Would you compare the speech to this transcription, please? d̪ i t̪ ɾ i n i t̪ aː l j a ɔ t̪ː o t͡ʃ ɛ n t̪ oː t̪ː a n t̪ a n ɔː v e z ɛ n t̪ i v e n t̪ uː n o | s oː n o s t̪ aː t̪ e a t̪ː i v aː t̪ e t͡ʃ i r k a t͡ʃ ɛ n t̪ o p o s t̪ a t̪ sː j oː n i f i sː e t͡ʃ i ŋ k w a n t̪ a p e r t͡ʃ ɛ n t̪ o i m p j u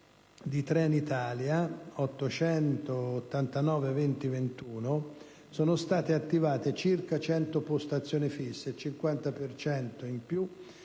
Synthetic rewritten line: d̪ i t̪ ɾ ɛ n i t̪ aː l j a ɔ t̪ː o t͡ʃ ɛ n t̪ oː t̪ː a n t̪ a n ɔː v e v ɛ n t̪ i v e n t̪ uː n o | s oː n o s t̪ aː t̪ e a t̪ː i v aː t̪ e t͡ʃ i r k a t͡ʃ ɛ n t̪ o p o s t̪ a t̪ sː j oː n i f i sː e t͡ʃ i ŋ k w a n t̪ a p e r t͡ʃ ɛ n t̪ o i m p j u